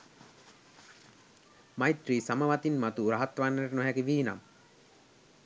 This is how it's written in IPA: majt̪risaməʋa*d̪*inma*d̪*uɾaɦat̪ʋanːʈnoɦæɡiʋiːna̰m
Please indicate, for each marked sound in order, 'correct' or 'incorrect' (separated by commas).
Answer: incorrect, incorrect